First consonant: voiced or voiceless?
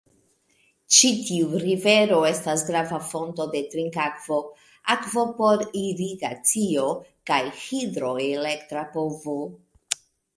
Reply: voiceless